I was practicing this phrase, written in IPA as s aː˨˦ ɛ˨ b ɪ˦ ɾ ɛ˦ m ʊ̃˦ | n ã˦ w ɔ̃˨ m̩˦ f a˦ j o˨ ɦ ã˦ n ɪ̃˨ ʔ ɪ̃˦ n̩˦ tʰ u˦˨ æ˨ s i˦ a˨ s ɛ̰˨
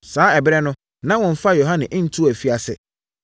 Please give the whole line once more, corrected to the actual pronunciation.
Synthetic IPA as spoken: s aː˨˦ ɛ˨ b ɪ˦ ɾ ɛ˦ n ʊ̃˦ | n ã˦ w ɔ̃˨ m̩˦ f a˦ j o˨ ɦ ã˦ n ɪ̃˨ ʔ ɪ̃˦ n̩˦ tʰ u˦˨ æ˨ f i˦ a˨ s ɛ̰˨